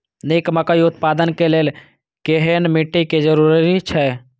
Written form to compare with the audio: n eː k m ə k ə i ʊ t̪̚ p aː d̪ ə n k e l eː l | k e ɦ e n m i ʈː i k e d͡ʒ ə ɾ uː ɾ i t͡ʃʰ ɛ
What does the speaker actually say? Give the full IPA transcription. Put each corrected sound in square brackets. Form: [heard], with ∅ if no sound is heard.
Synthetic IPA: n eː k m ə k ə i ʊ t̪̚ p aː d̪ ə n k e l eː l | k e ɦ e n m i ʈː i k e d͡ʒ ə ɾ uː ɾ i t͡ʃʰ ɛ